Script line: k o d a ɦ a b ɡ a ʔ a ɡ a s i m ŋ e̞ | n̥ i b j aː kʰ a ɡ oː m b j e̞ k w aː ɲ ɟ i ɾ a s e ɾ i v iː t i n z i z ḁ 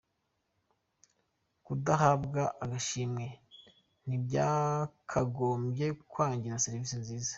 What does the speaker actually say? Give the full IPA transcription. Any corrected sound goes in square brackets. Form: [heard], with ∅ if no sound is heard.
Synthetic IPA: k [u] d a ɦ a b ɡ a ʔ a ɡ a [ʃ] i m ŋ e̞ | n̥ i b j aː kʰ a ɡ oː m b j e̞ k w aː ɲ ɟ i ɾ a s e ɾ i v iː [s] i n z [iː] z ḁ